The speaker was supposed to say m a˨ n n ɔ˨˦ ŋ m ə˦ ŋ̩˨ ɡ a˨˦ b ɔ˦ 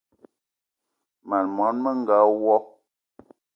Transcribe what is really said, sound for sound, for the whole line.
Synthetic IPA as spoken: m a˨ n m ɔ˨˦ n m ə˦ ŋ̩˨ ɡ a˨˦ w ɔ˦